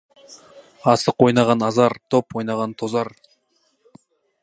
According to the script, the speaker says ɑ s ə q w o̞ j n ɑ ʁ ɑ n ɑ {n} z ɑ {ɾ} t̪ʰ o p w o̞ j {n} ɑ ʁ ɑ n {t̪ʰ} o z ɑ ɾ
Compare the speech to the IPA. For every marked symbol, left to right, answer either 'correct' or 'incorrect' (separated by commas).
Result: incorrect, correct, correct, correct